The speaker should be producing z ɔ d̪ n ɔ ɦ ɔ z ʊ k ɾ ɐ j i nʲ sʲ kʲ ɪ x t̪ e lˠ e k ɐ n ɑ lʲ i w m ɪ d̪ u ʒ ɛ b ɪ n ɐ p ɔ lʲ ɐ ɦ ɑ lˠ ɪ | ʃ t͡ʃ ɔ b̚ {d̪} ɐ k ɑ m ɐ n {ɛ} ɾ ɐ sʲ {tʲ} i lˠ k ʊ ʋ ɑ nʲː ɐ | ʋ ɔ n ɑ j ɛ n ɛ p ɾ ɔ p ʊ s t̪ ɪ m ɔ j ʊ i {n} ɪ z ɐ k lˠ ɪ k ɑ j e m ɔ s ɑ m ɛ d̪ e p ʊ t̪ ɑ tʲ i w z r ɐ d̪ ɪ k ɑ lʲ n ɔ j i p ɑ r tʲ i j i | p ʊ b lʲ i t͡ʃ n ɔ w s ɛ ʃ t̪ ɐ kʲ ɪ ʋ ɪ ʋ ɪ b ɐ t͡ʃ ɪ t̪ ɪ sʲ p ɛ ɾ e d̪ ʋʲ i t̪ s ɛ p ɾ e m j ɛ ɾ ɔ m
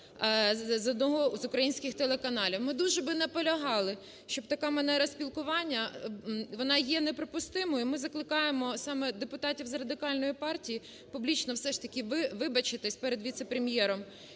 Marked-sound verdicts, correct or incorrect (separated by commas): incorrect, correct, incorrect, incorrect